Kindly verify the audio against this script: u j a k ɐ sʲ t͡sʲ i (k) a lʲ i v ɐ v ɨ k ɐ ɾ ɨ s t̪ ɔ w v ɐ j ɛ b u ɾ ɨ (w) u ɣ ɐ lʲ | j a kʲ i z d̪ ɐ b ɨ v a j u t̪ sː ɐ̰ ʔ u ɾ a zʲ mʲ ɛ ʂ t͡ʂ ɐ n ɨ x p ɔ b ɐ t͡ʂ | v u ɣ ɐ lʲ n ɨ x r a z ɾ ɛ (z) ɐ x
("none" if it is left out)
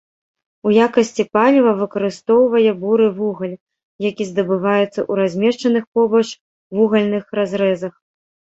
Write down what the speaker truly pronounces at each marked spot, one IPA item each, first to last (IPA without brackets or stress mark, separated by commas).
p, v, z